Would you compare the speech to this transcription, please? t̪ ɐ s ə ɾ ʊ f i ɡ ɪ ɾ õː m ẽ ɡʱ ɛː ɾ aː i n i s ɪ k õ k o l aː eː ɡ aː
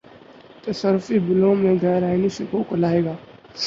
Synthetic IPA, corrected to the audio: t̪ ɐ s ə ɾ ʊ f i b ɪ l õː m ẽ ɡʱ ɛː ɾ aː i n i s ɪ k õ k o l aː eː ɡ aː

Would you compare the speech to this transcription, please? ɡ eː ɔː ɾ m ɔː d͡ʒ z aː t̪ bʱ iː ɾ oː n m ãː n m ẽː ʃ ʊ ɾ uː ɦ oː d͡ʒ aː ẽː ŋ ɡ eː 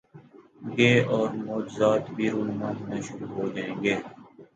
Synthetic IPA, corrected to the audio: ɡ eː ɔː ɾ m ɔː d͡ʒ z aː t̪ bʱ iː ɾ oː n m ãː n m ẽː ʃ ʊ ɾ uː ɦ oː d͡ʒ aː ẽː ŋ ɡ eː

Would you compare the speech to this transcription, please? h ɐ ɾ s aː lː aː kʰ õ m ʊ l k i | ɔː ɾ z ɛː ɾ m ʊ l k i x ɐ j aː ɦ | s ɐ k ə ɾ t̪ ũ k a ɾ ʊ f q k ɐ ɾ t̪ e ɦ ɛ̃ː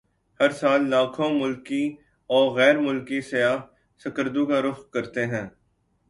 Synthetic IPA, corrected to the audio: h ɐ ɾ s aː lː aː kʰ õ m ʊ l k i | ɔː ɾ ɣ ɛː ɾ m ʊ l k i s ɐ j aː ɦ | s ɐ k ə ɾ d̪ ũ k a ɾ ʊ f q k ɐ ɾ t̪ e ɦ ɛ̃ː

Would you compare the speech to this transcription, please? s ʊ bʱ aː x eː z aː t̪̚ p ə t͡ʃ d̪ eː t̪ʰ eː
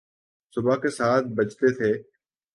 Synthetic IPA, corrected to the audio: s ʊ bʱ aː k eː s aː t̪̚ b ə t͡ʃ t̪ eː t̪ʰ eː

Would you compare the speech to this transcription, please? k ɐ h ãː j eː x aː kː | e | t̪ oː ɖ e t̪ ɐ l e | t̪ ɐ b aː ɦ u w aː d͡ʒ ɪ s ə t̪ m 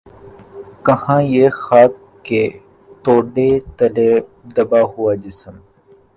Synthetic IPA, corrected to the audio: k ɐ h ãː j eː x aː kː | e | t̪ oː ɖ e t̪ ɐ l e | d̪ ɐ b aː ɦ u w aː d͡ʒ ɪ s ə m

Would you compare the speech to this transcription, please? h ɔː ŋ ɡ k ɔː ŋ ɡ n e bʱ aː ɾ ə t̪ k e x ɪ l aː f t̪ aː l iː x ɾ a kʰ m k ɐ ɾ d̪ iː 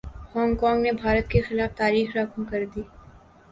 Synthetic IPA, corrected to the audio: h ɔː ŋ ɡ k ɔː ŋ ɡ n e bʱ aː ɾ ə t̪ k e x ɪ l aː f t̪ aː ɾ iː x ɾ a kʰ m k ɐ ɾ d̪ iː

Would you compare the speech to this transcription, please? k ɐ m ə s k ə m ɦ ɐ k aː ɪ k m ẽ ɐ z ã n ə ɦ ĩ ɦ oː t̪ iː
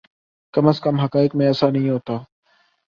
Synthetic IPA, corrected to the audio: k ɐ m ə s k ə m ɦ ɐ k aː ɪ k m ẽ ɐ s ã n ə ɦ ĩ ɦ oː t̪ aː

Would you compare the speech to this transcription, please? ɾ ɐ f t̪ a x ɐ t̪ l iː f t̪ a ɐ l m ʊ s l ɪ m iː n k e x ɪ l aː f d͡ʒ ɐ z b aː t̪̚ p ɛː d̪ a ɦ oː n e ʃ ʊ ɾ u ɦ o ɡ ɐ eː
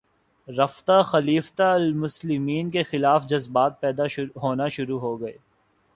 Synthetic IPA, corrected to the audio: ɾ ɐ f t̪ a x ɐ l iː f t̪ a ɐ l m ʊ s l ɪ m iː n k e x ɪ l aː f d͡ʒ ɐ z b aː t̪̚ p ɛː d̪ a ɦ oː n a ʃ ʊ ɾ u ɦ o ɡ ɐ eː

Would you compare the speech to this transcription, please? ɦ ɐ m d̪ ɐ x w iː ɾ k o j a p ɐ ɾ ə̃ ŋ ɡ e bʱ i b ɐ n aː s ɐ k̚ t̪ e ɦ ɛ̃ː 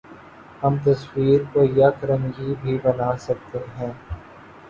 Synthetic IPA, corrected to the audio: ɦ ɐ m t̪ ɐ s w iː ɾ k o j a k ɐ ɾ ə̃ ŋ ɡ i bʱ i b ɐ n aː s ɐ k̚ t̪ e ɦ ɛ̃ː

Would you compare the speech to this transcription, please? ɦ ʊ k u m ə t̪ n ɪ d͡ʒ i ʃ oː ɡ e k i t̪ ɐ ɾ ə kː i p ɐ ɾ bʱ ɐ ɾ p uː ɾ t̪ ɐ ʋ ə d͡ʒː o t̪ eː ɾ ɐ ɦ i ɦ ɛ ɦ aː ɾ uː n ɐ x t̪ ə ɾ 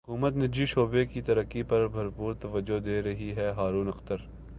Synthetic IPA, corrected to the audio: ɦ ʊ k uː m ə t̪ n ɪ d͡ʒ i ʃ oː b e k i t̪ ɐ ɾ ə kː i p ɐ ɾ bʱ ɐ ɾ p uː ɾ t̪ ɐ ʋ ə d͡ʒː o d̪ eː ɾ ɐ ɦ i ɦ ɛ ɦ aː ɾ uː n ɐ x t̪ ə ɾ

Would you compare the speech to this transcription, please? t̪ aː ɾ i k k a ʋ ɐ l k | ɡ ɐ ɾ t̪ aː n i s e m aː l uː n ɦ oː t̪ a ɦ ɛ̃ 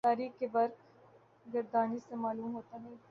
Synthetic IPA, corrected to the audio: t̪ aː ɾ iː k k e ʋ ɐ ɾ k | ɡ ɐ ɾ d̪ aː n i s e m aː l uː m ɦ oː t̪ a ɦ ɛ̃

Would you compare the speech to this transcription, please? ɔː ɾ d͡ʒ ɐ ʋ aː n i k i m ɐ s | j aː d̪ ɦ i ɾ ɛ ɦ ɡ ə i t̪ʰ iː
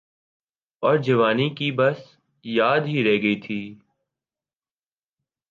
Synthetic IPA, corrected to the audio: ɔː ɾ d͡ʒ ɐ ʋ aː n i k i b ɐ s | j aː d̪ ɦ i ɾ ɛ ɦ ɡ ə i t̪ʰ iː

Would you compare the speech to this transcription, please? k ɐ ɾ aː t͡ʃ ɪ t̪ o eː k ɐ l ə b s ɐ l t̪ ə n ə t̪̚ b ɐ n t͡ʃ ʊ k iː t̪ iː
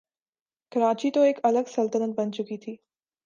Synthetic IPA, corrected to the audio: k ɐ ɾ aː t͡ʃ i t̪ o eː k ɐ l ə ɡ s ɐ l t̪ ə n ə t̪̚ b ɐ n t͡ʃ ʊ k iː t̪ʰ iː

